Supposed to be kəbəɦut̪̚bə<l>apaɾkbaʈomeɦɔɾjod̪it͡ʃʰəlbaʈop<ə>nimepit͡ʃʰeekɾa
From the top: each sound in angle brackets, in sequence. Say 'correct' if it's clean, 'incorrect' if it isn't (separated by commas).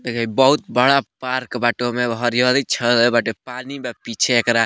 incorrect, incorrect